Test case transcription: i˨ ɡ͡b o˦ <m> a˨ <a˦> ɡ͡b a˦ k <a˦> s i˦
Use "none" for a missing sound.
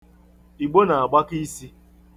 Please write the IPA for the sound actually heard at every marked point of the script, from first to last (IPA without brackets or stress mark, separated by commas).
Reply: n, a˨, i˦